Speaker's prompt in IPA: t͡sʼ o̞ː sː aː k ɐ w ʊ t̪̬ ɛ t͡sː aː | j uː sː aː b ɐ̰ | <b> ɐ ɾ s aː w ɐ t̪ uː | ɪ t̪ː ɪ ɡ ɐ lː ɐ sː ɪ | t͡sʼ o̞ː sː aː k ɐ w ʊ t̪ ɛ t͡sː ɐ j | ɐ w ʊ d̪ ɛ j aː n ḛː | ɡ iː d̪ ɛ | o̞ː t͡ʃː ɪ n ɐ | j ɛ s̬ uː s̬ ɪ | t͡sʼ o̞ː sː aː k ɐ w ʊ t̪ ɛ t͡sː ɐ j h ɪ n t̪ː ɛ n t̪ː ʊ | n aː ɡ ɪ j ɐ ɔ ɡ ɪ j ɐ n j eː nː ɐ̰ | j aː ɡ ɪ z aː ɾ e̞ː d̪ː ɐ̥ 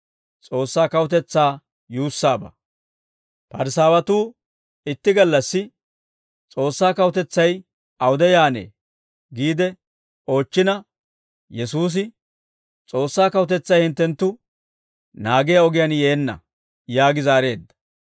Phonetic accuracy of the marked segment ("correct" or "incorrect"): incorrect